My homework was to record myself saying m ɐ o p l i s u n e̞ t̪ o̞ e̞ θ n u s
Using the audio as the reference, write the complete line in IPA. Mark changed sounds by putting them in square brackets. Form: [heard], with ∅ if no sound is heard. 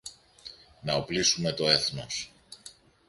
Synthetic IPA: [n] ɐ o p l i s u [m] e̞ t̪ o̞ e̞ θ n [o] s